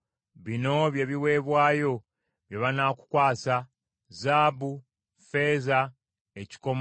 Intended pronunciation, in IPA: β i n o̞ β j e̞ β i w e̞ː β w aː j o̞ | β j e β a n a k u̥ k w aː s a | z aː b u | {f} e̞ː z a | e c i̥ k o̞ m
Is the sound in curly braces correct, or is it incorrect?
correct